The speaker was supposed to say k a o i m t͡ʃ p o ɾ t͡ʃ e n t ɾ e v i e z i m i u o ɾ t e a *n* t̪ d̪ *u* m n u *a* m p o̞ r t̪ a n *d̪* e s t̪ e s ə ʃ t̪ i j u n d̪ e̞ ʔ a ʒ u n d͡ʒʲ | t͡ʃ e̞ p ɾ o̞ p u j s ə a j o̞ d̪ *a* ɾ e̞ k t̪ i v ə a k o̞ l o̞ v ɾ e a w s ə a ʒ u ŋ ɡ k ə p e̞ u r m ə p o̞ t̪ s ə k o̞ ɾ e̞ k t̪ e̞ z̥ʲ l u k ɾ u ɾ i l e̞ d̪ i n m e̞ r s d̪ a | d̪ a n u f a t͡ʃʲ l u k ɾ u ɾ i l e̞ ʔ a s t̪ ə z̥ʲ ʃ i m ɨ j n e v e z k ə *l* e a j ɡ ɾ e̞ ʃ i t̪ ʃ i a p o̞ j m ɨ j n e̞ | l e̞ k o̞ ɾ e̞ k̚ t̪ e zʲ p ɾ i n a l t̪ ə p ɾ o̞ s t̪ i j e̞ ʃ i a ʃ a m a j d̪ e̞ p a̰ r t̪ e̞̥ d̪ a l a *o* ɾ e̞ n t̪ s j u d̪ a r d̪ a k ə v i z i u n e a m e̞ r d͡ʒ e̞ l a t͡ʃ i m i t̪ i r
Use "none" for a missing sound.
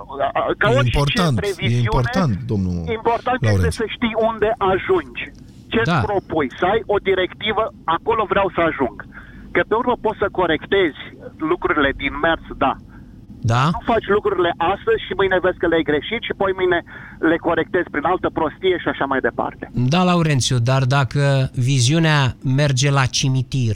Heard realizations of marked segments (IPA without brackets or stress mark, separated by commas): n, o, i, t̪, i, l, u